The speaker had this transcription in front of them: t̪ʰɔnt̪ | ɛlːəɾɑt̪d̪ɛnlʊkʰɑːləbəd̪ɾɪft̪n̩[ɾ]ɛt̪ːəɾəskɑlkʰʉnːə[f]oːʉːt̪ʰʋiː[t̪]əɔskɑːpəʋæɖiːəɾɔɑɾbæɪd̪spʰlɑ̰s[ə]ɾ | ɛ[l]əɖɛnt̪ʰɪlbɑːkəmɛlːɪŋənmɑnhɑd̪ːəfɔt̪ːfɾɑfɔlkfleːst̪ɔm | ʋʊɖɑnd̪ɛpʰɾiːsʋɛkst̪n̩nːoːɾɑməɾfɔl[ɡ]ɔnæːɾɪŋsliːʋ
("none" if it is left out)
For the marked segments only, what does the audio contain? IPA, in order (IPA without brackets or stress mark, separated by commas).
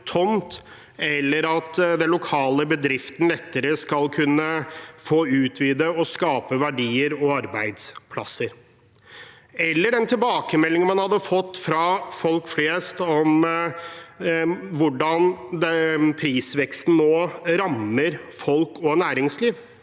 l, f, d̪, ə, lː, k